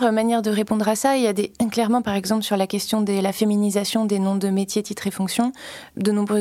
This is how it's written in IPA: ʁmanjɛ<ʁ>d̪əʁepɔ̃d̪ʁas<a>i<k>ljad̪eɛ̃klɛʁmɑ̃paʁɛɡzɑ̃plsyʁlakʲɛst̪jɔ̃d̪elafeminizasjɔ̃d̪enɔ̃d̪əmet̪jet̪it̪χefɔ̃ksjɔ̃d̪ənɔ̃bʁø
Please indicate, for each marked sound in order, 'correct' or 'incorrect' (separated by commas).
correct, correct, incorrect